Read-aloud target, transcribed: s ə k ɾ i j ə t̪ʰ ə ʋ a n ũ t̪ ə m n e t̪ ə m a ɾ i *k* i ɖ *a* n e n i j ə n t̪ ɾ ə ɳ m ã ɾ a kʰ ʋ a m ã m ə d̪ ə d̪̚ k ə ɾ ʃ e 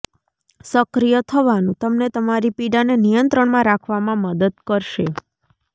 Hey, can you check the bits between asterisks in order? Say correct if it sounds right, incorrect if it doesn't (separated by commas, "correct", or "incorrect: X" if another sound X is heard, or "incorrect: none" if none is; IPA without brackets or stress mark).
incorrect: p, correct